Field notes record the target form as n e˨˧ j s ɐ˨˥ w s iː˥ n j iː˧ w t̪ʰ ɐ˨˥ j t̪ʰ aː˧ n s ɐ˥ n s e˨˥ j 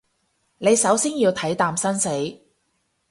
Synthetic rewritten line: n e˨˧ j s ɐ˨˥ w s iː˥ n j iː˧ w t̪ʰ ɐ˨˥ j t̪ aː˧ m s ɐ˥ n s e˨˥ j